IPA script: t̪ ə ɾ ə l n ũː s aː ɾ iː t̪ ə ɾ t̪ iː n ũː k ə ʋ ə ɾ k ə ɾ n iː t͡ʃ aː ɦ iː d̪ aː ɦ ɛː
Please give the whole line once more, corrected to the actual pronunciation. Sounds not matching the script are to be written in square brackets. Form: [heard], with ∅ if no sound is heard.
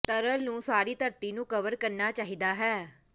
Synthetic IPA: t̪ ə ɾ ə l n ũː s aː ɾ iː t̪ ə ɾ t̪ iː n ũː k ə ʋ ə ɾ k ə ɾ n [aː] t͡ʃ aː ɦ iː d̪ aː ɦ ɛː